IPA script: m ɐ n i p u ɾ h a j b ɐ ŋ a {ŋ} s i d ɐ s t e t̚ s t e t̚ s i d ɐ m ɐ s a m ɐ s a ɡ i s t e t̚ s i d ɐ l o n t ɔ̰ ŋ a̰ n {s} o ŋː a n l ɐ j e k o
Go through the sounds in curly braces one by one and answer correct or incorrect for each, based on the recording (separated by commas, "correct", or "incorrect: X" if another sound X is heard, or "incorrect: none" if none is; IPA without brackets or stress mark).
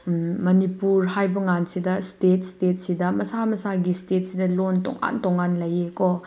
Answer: incorrect: n, incorrect: t